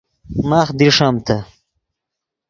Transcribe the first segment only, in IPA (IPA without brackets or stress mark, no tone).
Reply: m